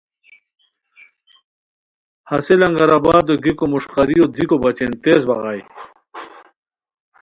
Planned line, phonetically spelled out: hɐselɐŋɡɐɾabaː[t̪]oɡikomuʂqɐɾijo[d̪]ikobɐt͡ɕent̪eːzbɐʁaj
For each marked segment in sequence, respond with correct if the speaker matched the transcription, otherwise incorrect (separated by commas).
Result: incorrect, correct